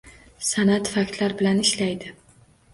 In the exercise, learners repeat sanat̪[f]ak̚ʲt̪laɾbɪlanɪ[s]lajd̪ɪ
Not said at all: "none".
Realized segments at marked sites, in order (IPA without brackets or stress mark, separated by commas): f, ʃ